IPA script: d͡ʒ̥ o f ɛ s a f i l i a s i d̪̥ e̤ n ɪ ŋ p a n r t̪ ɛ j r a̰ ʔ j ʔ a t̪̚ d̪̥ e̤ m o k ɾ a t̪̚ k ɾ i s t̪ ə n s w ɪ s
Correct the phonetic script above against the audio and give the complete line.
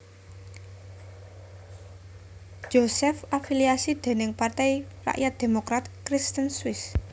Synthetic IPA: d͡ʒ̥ o s ɛ f a f i l i a s i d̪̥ e̤ n ɪ ŋ p a r t̪ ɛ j r a̰ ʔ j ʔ a t̪̚ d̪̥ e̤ m o k ɾ a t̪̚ k ɾ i s t̪ ə n s w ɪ s